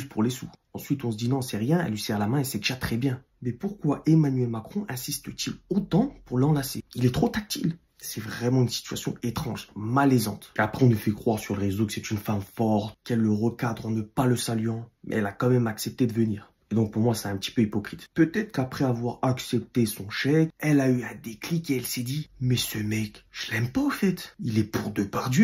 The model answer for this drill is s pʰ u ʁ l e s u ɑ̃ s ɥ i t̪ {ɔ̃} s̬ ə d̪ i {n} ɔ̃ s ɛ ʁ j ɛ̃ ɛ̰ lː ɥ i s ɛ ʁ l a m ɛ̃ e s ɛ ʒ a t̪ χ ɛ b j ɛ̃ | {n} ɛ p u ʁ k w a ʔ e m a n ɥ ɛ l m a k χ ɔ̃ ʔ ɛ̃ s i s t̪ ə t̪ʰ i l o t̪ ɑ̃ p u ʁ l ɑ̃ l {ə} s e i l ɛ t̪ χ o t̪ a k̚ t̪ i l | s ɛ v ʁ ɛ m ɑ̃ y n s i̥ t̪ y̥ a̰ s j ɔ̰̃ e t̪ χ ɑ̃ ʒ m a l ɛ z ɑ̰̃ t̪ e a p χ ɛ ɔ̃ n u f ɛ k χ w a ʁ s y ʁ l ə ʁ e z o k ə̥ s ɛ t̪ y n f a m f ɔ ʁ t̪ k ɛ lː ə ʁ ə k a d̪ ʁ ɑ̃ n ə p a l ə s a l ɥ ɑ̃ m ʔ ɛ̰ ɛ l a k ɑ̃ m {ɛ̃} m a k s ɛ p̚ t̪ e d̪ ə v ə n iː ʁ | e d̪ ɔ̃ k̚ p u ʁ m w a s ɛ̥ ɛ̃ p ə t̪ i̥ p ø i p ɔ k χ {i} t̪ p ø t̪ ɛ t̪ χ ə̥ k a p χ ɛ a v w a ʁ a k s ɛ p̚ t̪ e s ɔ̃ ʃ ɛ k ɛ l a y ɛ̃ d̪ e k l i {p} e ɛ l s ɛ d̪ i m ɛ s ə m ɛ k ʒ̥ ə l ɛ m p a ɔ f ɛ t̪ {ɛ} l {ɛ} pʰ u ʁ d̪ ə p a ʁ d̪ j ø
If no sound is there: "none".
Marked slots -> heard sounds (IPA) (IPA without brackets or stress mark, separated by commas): ɔ̃, n, m, a, ɛ, i, k, i, ɛ